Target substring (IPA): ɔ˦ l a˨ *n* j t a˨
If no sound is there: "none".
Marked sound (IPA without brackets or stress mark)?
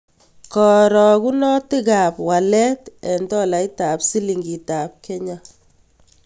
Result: none